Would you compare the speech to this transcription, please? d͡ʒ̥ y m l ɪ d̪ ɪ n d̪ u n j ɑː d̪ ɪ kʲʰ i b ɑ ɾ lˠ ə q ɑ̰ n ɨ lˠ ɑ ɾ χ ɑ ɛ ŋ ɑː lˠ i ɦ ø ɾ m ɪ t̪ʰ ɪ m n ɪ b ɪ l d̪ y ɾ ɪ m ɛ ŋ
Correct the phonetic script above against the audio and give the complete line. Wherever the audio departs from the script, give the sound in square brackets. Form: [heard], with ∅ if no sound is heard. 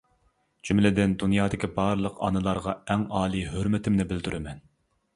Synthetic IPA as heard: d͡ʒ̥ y m l ɪ d̪ ɪ n d̪ u n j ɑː d̪ ɪ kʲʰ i b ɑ ɾ lˠ ə q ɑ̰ n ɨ lˠ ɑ ɾ [ʁ] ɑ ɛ ŋ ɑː lˠ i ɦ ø ɾ m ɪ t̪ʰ ɪ m n ɪ b ɪ l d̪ y ɾ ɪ m ɛ [n]